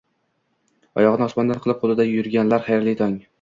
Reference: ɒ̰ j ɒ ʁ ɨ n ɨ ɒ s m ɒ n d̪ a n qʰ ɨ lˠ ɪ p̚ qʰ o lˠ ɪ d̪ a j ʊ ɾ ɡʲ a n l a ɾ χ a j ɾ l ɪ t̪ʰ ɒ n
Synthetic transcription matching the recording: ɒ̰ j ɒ ʁ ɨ n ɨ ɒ s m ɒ n d̪ a n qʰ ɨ lˠ ɪ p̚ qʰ o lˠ ɪ d̪ a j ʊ ɾ ɡʲ a n l a ɾ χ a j ɾ l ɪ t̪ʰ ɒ ŋ

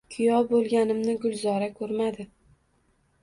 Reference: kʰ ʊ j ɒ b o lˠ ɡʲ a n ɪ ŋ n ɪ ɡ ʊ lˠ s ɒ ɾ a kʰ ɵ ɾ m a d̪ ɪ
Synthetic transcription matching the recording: kʰ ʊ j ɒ b o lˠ ɡʲ a n ɪ m n ɪ ɡ ʊ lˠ z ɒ ɾ a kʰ ɵ ɾ m a d̪ ɪ

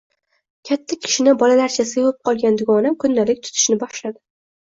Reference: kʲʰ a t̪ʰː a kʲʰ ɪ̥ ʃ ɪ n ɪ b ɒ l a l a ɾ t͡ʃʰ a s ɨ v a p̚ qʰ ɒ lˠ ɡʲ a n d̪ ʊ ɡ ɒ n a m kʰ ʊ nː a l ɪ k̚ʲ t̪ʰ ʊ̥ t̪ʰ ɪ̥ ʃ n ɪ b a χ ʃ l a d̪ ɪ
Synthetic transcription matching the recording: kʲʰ a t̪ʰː a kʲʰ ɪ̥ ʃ ɪ n ɪ b ɒ l a l a ɾ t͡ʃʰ a s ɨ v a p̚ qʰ ɒ lˠ ɡʲ a n d̪ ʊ ɡ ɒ n a m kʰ ʊ nː a l ɪ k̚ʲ t̪ʰ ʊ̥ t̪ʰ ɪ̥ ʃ n ɪ b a χ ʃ l a d̪ ɪ

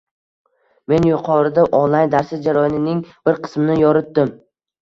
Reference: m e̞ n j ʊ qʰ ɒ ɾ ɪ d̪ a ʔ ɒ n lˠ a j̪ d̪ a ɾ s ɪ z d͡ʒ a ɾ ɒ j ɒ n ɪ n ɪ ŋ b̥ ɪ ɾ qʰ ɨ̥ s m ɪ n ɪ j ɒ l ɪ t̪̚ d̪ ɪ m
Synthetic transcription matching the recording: m e̞ n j ʊ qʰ ɒ ɾ ɪ d̪ a ʔ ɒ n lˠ a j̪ d̪ a ɾ s ɪ z d͡ʒ a ɾ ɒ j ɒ n ɪ n ɪ ŋ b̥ ɪ ɾ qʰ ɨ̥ s m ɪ n ɪ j ɒ ɾ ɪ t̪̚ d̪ ɪ m

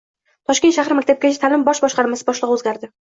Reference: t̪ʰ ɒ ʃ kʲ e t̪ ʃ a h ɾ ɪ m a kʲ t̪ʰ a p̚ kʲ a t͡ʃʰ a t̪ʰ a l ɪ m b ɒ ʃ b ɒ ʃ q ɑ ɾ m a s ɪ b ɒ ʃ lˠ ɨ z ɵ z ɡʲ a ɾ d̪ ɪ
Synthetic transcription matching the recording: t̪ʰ ɒ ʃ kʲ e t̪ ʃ a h ɾ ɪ m a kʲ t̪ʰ a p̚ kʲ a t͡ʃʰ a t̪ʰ a l ɪ m b ɒ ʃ b ɒ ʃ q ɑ ɾ m a s ɪ b ɒ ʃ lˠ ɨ ʁ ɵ z ɡʲ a ɾ d̪ ɪ

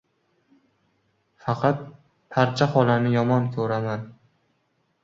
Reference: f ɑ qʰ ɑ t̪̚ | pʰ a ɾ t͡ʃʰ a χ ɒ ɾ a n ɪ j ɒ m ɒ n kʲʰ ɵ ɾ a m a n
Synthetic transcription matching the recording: f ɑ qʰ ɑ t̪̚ | pʰ a ɾ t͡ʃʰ a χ ɒ l a n ɪ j ɒ m ɒ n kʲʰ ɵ ɾ a m a n

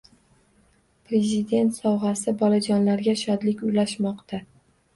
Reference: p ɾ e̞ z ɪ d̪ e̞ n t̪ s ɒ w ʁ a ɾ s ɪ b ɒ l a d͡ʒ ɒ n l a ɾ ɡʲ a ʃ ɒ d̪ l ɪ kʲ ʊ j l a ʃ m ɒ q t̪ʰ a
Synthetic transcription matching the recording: p ɾ e̞ z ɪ d̪ e̞ n t̪ s ɒ w ʁ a s ɪ b ɒ l a d͡ʒ ɒ n l a ɾ ɡʲ a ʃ ɒ d̪ l ɪ kʲ ʊ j l a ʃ m ɒ q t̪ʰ a

